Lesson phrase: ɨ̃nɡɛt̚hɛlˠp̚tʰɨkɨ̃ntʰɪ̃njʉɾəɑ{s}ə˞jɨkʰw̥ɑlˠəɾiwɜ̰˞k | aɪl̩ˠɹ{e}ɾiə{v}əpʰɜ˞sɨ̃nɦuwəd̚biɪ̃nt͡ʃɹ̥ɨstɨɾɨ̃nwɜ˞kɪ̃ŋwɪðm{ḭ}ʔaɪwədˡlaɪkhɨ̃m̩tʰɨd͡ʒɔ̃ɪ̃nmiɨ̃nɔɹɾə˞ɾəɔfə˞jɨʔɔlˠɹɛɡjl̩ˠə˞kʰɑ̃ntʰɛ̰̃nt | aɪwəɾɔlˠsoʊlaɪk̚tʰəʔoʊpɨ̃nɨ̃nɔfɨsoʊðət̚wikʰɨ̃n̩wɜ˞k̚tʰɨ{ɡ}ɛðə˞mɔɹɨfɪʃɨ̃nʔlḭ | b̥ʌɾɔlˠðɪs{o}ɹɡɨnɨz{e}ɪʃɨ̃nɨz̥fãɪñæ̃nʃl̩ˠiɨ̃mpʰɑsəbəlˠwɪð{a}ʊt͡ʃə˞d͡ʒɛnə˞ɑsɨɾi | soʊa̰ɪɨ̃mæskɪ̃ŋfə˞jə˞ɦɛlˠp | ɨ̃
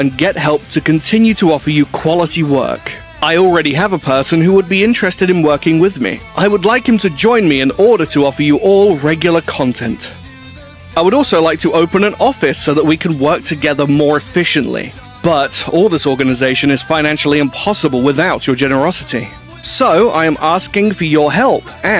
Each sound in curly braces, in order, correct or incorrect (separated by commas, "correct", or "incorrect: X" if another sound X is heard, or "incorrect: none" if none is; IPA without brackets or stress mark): incorrect: f, incorrect: ɛ, correct, correct, correct, incorrect: ɔ, correct, correct